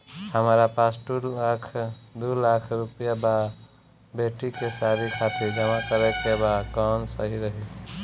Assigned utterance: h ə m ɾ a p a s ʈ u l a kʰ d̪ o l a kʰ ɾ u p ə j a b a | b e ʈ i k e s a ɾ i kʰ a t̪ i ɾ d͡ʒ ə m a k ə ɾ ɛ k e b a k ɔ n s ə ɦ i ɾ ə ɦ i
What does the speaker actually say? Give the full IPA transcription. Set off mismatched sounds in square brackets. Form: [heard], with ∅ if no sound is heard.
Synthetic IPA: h ə m ɾ a p a s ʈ u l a kʰ d̪ [u] l a kʰ ɾ u p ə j a b a | b e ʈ i k e s a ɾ i kʰ a t̪ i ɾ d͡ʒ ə m a k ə ɾ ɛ k e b a k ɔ n s ə ɦ i ɾ ə ɦ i